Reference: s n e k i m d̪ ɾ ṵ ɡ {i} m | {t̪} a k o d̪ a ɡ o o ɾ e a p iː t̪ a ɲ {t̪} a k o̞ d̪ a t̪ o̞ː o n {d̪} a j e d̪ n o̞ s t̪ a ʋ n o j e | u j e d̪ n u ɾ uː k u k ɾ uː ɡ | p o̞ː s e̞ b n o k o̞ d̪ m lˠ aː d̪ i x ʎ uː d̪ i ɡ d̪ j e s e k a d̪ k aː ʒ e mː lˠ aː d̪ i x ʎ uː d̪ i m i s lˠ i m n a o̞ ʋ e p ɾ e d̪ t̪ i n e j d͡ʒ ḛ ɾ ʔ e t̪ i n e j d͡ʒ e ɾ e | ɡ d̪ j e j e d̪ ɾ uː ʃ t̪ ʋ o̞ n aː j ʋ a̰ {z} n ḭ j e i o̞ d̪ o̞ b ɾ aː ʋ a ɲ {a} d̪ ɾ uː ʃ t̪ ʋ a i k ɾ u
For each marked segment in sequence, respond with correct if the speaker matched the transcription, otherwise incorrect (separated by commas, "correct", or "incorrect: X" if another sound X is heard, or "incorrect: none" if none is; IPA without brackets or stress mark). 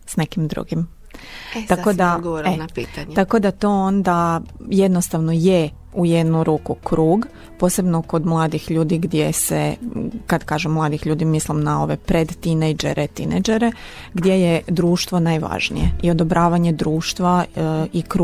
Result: correct, correct, correct, correct, incorrect: ʒ, incorrect: e